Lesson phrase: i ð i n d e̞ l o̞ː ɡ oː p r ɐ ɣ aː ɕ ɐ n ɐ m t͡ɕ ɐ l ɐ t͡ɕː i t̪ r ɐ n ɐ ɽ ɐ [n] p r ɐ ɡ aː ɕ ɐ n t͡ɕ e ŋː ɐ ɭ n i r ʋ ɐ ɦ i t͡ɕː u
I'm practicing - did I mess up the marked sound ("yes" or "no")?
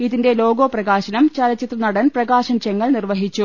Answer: no